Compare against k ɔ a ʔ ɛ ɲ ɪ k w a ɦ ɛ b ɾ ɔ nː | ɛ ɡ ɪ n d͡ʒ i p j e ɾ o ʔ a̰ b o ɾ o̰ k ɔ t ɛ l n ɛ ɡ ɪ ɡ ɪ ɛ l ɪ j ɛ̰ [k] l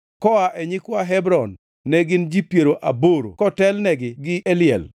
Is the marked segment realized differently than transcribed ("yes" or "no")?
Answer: yes